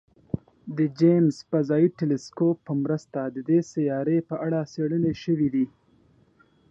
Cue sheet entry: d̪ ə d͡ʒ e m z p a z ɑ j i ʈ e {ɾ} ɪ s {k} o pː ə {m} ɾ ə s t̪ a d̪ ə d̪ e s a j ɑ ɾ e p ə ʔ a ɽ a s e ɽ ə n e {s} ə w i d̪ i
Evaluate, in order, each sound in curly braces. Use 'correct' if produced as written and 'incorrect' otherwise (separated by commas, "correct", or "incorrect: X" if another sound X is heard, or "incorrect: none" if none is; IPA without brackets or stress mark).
incorrect: l, correct, correct, incorrect: ʃ